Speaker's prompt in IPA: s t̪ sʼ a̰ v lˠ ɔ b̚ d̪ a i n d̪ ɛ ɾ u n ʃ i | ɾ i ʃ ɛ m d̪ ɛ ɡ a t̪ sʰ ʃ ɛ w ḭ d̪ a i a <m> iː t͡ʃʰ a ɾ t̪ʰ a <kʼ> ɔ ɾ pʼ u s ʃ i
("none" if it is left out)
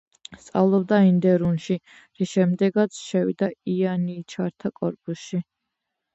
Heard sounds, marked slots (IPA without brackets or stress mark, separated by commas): n, kʼ